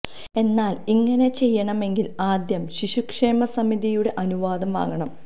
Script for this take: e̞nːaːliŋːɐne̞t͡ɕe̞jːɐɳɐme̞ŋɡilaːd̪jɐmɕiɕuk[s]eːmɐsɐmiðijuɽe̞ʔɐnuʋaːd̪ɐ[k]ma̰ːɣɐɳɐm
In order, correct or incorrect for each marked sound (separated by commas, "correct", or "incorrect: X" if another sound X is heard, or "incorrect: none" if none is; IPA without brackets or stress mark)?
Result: incorrect: ʂ, incorrect: none